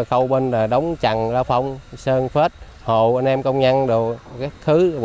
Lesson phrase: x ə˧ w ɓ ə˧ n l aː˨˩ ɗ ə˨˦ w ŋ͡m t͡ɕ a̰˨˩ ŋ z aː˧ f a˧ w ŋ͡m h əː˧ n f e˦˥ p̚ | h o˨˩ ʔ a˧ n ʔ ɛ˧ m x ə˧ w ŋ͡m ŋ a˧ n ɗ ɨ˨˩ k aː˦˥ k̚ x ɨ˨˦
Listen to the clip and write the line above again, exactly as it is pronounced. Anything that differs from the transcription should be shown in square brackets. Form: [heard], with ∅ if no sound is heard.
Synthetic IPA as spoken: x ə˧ w ɓ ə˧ n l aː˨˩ ɗ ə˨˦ w ŋ͡m t͡ɕ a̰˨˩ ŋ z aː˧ f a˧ w ŋ͡m [s] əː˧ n f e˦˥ [t̚] | h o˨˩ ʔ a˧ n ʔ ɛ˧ m [k] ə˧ w ŋ͡m [ɲ] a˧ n ɗ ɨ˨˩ k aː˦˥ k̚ x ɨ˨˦